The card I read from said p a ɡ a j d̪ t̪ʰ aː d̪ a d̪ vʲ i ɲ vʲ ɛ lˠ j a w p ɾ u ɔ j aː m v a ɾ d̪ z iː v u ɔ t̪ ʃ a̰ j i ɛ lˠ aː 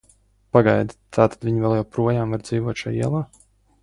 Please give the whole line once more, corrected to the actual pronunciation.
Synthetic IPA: p a ɡ a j d̪ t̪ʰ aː t̪ a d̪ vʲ i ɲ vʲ ɛ lˠ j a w p ɾ u ɔ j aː m v a ɾ d̪ z iː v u ɔ t̪ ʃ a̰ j i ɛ lˠ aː